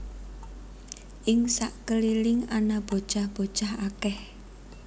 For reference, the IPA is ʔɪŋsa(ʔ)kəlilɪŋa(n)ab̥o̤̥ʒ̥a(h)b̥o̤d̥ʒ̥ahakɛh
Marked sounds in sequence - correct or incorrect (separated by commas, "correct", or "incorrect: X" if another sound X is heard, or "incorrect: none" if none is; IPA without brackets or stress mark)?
correct, correct, correct